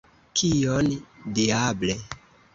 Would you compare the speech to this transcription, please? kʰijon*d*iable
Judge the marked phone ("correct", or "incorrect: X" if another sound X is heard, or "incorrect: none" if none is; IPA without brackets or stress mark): correct